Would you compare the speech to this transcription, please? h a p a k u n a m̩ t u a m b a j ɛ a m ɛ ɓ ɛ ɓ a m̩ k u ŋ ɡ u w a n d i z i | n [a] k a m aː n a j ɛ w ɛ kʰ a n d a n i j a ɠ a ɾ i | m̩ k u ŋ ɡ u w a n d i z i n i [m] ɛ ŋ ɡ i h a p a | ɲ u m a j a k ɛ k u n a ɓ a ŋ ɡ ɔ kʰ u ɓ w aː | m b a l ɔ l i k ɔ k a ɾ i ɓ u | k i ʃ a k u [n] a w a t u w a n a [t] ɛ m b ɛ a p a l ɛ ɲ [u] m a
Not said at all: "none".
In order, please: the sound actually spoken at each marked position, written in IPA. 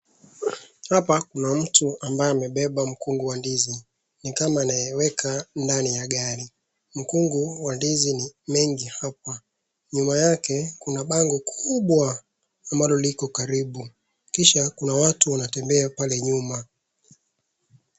i, m, n, t, u

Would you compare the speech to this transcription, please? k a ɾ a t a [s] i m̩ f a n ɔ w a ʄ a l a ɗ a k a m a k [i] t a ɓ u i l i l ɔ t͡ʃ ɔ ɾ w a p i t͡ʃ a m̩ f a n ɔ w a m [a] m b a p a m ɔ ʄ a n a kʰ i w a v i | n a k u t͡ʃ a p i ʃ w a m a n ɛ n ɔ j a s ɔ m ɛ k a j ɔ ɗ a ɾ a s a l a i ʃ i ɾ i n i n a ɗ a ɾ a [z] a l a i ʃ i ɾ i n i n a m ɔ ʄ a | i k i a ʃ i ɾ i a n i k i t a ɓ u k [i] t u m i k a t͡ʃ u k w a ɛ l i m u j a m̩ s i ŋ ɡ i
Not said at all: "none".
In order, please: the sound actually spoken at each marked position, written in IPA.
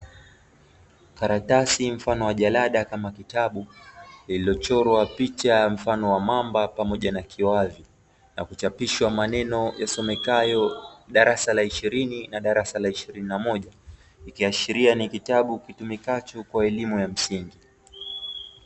s, i, a, s, i

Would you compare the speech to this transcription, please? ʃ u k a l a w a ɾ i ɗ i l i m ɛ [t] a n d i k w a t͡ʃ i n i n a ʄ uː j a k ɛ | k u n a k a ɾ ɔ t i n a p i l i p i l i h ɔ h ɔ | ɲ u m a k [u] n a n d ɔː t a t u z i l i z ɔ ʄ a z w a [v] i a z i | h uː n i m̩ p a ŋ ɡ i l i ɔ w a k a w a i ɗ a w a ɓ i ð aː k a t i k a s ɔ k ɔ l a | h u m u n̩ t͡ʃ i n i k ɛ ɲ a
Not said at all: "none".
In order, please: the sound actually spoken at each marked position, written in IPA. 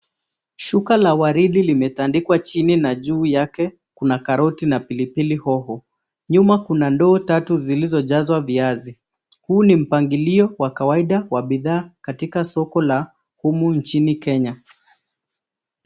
t, u, v

